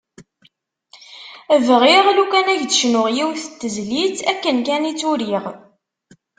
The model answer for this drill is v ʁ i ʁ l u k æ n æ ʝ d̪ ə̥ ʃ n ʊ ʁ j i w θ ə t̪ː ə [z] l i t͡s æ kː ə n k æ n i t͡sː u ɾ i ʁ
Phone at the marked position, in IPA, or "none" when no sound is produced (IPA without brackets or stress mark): z